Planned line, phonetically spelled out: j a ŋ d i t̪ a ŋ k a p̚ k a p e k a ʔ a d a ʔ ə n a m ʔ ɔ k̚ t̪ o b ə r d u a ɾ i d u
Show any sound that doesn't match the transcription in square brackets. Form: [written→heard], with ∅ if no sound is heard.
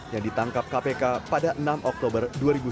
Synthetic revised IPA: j a ŋ d i t̪ a ŋ k a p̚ k a p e k a [ʔ→p] a d a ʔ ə n a m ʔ ɔ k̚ t̪ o b ə r d u a ɾ i [d→b] u